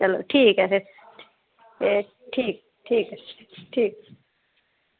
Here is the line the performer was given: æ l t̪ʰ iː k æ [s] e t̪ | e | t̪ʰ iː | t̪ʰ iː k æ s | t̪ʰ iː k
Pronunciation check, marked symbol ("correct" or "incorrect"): correct